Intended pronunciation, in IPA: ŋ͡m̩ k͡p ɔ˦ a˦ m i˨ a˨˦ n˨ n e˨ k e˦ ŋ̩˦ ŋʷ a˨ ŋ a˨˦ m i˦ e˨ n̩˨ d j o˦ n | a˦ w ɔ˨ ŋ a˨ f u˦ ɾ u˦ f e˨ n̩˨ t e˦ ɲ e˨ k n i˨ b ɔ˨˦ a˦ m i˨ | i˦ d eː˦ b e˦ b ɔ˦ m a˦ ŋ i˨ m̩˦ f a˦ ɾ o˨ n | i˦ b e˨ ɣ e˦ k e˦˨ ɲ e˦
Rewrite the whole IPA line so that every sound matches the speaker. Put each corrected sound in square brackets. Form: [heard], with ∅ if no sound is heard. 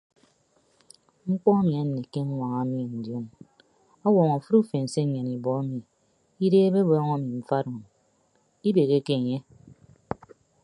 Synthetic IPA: ŋ͡m̩ k͡p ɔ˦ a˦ m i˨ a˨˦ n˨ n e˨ k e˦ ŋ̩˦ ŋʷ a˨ ŋ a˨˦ m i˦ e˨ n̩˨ d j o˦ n | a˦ w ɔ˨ ŋ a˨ f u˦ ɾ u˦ f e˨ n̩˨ [s] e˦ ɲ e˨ [∅] n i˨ b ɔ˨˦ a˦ m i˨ | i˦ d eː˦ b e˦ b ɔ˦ [ŋ] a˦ [m] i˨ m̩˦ f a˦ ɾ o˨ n | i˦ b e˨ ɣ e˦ k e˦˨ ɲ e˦

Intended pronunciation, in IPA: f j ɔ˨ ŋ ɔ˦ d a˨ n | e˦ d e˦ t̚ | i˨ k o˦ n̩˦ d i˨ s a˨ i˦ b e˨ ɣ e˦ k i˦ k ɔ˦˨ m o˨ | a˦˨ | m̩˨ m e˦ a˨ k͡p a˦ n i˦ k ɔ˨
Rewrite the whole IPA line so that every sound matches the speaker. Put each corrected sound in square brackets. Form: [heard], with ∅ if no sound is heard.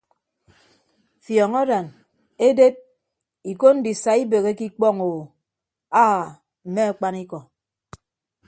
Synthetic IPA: f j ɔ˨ ŋ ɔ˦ d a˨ n | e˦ d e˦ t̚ | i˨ k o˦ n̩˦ d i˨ s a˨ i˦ b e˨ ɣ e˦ k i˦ [k͡p] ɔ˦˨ [ŋ] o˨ | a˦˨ | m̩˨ m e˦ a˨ k͡p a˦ n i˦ k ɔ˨

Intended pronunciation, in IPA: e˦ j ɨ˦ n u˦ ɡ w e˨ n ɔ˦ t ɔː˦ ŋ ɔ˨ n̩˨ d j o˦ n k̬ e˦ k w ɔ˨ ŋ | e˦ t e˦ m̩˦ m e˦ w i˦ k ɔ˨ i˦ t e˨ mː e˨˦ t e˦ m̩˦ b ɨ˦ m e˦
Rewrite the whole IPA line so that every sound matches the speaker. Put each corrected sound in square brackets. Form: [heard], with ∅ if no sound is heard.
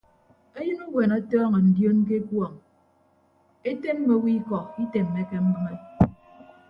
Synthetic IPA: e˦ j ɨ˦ n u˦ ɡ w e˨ n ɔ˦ t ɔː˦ ŋ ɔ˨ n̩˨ d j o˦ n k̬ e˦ k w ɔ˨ ŋ | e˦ t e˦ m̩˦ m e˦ w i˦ k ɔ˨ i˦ t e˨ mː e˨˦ [k] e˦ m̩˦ b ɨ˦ [ŋ] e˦

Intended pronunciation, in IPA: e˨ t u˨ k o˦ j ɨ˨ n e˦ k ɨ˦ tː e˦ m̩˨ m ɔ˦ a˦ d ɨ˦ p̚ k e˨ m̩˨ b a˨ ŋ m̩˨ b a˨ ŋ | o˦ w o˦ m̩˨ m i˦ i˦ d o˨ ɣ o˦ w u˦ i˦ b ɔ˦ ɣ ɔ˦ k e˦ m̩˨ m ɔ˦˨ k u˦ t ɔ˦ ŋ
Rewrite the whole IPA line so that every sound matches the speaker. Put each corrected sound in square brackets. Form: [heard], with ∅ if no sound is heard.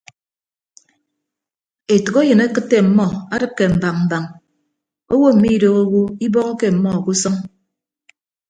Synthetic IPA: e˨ t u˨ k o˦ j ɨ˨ n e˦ k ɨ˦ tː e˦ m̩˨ m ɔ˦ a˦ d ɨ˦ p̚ k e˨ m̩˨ b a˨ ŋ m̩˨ b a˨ ŋ | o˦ w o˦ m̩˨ m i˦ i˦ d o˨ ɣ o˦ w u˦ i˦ b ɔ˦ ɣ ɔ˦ k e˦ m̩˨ m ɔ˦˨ k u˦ [s] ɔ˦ ŋ

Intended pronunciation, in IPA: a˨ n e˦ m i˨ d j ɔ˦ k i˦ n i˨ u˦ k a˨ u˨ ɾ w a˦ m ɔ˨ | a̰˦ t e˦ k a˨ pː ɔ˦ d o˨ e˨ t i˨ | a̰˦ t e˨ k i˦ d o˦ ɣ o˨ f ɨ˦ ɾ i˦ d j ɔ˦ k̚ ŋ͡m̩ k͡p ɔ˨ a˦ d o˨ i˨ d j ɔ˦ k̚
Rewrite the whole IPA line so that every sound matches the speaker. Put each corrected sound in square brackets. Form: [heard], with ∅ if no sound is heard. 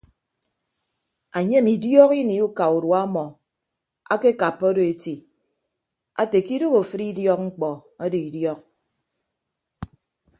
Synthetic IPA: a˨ [ɲ] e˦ m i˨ d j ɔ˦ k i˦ n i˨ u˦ k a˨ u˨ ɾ w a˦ m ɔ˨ | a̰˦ [k] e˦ k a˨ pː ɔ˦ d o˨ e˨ t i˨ | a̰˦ t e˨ k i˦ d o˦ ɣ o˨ f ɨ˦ ɾ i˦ d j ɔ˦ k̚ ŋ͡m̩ k͡p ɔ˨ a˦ d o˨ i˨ d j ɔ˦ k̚

